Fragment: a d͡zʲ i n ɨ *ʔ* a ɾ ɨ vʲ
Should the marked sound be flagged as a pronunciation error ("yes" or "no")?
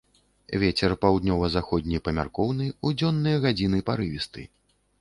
yes